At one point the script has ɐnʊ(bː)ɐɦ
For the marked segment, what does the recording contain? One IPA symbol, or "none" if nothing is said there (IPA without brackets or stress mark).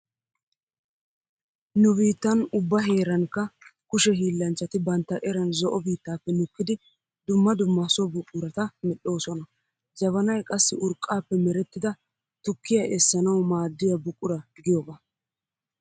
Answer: bː